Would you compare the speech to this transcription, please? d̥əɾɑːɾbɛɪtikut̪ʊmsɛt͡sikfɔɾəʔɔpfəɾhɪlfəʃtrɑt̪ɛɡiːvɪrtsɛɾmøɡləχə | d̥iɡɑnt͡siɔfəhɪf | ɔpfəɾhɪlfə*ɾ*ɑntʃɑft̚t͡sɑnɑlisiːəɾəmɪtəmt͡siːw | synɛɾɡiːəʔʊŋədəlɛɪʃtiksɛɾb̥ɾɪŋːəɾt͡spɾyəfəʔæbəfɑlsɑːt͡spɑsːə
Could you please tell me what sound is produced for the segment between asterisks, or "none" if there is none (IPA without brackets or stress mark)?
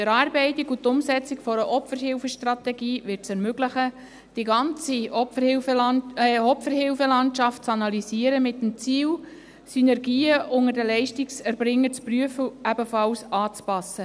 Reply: l